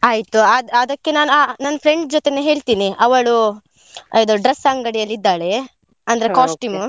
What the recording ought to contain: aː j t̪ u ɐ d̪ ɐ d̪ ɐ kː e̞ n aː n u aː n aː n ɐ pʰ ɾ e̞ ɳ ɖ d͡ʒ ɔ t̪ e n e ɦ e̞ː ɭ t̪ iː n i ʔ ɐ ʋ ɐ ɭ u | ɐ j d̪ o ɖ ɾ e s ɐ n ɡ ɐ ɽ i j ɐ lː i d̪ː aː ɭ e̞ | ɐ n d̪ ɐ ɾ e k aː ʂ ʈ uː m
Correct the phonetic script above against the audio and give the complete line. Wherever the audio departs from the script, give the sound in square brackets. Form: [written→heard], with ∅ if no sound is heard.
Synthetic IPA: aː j t̪ u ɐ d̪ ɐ d̪ ɐ kː e̞ n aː n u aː n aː n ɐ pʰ ɾ e̞ ɳ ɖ d͡ʒ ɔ t̪ e n e ɦ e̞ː ɭ t̪ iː n i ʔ ɐ ʋ ɐ ɭ u | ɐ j d̪ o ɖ ɾ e s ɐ [n→ŋ] ɡ ɐ ɽ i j ɐ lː i d̪ː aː ɭ e̞ | ɐ n d̪ ɐ ɾ e k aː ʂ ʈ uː m

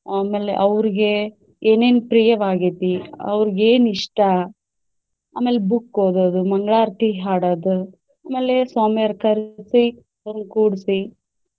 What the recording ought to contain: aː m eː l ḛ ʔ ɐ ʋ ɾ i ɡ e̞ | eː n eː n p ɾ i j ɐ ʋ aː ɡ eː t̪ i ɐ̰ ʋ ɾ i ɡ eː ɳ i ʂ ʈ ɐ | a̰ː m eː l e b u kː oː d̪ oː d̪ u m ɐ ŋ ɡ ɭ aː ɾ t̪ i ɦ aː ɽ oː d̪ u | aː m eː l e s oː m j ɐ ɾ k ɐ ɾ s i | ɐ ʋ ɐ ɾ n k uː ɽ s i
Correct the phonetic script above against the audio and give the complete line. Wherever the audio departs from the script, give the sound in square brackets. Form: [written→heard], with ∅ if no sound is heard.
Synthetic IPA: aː m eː l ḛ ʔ ɐ ʋ ɾ i ɡ e̞ | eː n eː n p ɾ i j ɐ ʋ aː ɡ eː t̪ i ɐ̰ ʋ ɾ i ɡ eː [ɳ→n] i ʂ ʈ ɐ | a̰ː m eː l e b u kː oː d̪ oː d̪ u m ɐ ŋ ɡ ɭ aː ɾ t̪ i ɦ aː ɽ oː d̪ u | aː m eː l e s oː m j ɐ ɾ k ɐ ɾ s i | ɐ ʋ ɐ ɾ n k uː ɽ s i

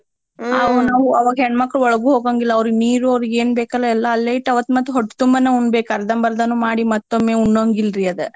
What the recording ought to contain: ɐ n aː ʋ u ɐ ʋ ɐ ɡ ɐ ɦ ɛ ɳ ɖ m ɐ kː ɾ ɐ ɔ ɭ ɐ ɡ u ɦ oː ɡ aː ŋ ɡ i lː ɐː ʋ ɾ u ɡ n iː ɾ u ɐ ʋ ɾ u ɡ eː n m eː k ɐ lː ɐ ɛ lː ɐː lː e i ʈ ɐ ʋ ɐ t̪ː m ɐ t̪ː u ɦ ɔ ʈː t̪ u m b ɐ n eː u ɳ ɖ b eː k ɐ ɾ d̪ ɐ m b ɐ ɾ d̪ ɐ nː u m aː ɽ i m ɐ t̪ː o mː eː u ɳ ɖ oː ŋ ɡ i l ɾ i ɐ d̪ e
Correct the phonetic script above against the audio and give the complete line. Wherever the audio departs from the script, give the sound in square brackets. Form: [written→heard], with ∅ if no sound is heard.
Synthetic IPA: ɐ n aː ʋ u ɐ ʋ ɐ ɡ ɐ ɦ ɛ ɳ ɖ m ɐ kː ɾ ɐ ɔ ɭ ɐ ɡ u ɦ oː ɡ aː ŋ ɡ i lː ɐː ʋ ɾ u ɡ n iː ɾ u ɐ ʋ ɾ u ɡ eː n [m→b] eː k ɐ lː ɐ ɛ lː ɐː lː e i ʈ ɐ ʋ ɐ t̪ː m ɐ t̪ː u ɦ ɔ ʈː t̪ u m b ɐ n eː u ɳ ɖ b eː k ɐ ɾ d̪ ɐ m b ɐ ɾ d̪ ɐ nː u m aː ɽ i m ɐ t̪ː o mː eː u ɳ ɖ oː ŋ ɡ i l ɾ i ɐ d̪ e

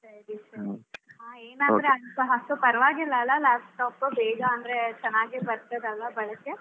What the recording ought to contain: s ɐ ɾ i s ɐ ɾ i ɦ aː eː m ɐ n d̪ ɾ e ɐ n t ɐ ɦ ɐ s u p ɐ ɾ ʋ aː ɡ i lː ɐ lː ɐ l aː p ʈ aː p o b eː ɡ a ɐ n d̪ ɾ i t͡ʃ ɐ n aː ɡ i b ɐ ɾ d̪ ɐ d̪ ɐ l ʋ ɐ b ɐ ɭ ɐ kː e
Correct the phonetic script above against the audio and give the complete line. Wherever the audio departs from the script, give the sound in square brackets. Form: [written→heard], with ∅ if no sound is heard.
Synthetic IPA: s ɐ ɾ i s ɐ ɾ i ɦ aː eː [m→n] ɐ n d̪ ɾ e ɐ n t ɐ ɦ ɐ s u p ɐ ɾ ʋ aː ɡ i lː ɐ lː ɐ l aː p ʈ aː p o b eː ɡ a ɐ n d̪ ɾ [i→e] t͡ʃ ɐ n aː ɡ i b ɐ ɾ [d̪→t̪] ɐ d̪ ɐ l ʋ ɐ b ɐ ɭ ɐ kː e

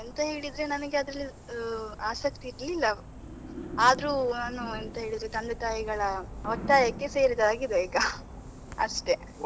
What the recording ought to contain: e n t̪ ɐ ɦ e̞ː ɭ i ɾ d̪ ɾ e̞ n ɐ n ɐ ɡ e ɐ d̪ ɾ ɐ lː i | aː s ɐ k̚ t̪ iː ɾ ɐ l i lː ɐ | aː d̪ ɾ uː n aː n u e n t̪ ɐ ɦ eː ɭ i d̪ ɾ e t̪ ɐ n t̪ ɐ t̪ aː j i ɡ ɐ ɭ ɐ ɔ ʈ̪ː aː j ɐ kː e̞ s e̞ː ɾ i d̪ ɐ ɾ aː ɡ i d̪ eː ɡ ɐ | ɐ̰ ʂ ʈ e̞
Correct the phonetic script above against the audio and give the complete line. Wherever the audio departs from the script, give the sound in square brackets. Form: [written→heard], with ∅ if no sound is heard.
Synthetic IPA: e n t̪ ɐ ɦ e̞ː ɭ i [ɾ→∅] d̪ ɾ e̞ n ɐ n ɐ ɡ e ɐ d̪ ɾ ɐ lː i | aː s ɐ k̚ t̪ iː ɾ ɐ l i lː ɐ | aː d̪ ɾ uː n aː n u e n t̪ ɐ ɦ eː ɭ i d̪ ɾ e t̪ ɐ n [t̪→d̪] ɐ t̪ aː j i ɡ ɐ ɭ ɐ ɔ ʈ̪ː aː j ɐ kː e̞ s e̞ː ɾ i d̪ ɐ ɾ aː ɡ i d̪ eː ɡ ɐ | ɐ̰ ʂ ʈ e̞

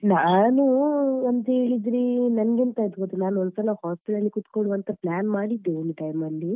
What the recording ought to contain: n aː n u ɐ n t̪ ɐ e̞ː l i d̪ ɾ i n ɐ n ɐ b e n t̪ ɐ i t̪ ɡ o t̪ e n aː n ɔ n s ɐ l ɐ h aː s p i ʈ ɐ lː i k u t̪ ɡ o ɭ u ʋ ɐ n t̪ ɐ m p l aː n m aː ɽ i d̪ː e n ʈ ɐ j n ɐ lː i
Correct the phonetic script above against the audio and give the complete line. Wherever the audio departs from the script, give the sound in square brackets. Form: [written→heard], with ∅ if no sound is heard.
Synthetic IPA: n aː n u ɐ n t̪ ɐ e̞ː [l→ɭ] i d̪ ɾ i n ɐ n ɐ [b→ɡ] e n t̪ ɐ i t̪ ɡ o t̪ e n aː n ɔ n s ɐ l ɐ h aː s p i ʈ ɐ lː i k u t̪ [ɡ→k] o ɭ u ʋ ɐ n t̪ ɐ [m→∅] p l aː n m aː ɽ i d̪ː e n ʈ ɐ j [n→m] ɐ lː i

